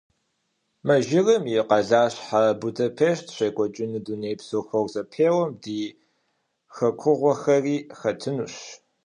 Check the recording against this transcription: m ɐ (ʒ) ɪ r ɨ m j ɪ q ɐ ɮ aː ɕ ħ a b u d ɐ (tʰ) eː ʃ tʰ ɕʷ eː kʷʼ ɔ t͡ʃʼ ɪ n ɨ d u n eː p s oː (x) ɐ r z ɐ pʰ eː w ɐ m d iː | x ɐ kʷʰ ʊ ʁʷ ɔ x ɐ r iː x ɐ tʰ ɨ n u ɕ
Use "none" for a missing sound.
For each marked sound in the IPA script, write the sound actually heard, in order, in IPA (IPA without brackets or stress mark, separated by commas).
ʒ, pʰ, x